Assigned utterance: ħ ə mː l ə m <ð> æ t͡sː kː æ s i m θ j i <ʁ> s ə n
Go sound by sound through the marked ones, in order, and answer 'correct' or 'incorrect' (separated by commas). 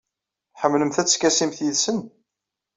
incorrect, incorrect